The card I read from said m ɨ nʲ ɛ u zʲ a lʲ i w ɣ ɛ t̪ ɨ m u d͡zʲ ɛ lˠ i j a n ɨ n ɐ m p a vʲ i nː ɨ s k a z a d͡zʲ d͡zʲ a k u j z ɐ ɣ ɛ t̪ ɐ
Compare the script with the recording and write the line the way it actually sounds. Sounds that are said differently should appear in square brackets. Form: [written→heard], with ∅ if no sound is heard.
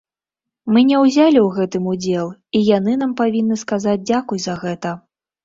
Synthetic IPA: m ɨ nʲ ɛ [u→w] zʲ a lʲ i w ɣ ɛ t̪ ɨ m u d͡zʲ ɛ lˠ i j a n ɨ n [ɐ→a] m p a vʲ i nː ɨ s k a z a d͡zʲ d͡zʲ a k u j z ɐ ɣ ɛ t̪ ɐ